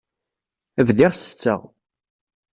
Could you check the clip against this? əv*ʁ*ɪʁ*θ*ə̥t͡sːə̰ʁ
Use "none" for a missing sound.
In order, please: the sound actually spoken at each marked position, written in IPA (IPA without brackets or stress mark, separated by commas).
ð, s